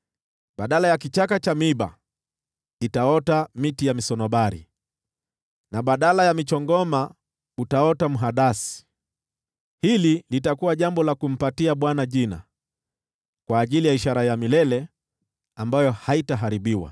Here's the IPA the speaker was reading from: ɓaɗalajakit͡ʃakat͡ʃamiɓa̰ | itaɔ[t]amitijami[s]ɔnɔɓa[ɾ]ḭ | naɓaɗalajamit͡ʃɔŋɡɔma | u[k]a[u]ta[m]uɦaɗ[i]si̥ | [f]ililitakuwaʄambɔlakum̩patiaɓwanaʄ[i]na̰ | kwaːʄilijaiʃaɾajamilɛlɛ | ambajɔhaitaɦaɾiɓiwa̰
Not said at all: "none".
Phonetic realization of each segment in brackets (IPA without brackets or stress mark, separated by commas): t, s, ɾ, t, ɔ, m, a, h, i